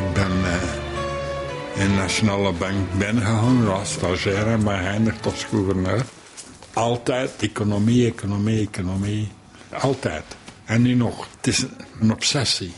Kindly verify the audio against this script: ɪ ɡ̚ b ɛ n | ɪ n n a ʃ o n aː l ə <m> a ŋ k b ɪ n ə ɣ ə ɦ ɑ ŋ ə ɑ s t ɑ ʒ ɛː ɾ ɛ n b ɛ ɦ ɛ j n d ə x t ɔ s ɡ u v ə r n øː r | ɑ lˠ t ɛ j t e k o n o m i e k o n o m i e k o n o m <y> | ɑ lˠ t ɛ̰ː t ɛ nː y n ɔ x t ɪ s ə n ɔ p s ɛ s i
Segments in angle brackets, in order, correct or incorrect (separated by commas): incorrect, incorrect